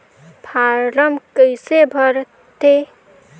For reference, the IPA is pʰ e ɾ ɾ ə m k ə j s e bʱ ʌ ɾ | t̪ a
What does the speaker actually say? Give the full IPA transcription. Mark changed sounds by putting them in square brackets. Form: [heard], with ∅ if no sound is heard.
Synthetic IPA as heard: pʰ [a] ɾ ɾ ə m k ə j s e bʱ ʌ ɾ | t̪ [e]